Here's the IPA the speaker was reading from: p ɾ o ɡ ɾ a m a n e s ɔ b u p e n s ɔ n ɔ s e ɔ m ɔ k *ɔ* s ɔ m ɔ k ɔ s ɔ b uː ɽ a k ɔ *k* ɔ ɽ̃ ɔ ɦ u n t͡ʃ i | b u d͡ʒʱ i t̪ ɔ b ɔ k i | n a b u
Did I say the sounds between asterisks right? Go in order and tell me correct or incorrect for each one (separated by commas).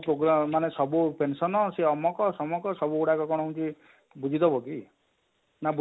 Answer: correct, correct